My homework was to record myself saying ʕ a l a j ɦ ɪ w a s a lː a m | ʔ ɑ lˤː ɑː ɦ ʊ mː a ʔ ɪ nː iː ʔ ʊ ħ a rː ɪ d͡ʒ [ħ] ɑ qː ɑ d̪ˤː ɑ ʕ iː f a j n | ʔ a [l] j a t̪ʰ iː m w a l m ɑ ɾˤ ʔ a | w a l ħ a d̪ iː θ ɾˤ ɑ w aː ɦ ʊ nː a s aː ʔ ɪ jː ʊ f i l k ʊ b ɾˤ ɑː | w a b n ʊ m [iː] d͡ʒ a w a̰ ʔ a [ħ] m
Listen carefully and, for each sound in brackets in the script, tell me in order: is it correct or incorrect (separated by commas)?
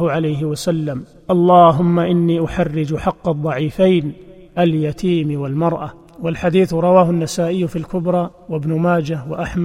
correct, correct, incorrect, correct